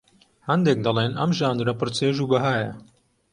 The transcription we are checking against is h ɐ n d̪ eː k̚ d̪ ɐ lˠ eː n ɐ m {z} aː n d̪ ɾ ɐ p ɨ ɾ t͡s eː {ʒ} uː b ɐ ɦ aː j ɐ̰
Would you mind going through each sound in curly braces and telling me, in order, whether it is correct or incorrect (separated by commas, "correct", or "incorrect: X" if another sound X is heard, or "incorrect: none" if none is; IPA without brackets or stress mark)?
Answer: incorrect: ʒ, correct